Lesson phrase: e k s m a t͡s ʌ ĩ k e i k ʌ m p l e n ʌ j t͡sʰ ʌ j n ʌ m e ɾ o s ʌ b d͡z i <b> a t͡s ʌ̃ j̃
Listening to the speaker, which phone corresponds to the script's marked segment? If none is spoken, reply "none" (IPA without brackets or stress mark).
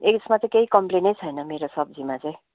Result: m